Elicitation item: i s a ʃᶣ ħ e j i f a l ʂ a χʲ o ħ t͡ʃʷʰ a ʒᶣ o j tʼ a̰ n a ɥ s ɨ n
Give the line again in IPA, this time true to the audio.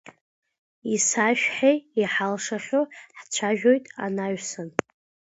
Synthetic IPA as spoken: i s a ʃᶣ ħ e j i ħ a l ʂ a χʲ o ħ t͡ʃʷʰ a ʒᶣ o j tʼ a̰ n a ɥ s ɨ n